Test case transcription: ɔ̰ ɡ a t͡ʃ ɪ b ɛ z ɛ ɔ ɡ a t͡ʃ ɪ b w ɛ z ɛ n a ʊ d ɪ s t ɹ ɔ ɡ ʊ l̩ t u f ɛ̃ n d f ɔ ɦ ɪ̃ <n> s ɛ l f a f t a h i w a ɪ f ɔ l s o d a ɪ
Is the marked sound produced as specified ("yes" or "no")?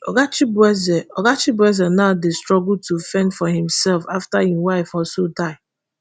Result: no